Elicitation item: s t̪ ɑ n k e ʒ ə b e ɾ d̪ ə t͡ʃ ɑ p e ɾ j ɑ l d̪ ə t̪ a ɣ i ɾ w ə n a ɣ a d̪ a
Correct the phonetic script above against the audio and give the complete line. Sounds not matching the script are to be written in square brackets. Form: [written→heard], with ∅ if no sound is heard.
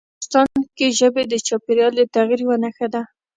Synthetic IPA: s t̪ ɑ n k e ʒ ə b e [ɾ→∅] d̪ ə t͡ʃ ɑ p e ɾ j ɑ l d̪ ə t̪ a ɣ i ɾ w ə n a [ɣ→x] a d̪ a